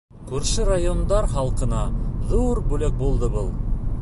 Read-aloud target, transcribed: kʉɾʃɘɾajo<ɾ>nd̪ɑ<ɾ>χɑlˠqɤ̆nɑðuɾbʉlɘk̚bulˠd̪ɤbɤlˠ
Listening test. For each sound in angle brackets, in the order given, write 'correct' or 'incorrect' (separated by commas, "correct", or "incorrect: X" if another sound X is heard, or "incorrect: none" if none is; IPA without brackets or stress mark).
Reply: incorrect: none, correct